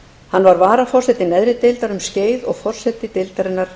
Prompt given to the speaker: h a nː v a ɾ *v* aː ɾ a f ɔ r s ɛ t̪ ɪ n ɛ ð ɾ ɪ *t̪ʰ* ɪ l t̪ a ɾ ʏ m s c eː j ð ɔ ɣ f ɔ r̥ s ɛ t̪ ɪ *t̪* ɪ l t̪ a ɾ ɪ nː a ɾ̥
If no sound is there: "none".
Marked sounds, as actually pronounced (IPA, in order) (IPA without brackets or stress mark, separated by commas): v, t̪, t̪